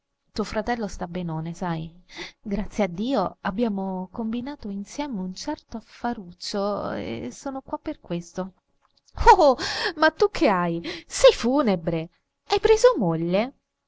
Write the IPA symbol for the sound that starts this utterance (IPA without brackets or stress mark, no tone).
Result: t̪